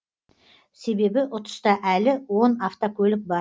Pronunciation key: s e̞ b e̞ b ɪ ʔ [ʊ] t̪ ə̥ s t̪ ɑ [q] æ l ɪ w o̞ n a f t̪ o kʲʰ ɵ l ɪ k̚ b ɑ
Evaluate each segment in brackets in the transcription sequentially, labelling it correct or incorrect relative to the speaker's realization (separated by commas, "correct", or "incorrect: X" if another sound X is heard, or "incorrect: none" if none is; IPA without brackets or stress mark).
correct, incorrect: ʔ